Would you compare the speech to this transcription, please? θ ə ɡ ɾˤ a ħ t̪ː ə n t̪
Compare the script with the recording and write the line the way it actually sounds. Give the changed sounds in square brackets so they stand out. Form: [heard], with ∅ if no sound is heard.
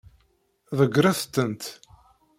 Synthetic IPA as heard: [ð] ə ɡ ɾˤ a [θ] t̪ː ə n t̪